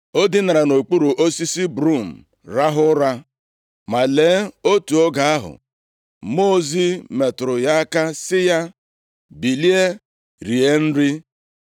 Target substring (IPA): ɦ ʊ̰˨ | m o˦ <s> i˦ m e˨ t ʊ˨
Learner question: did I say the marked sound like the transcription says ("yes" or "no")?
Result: no